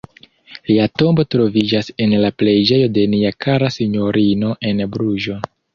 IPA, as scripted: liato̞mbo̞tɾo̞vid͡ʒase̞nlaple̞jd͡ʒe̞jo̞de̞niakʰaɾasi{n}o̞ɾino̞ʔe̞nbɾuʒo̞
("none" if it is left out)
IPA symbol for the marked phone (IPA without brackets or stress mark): ɲ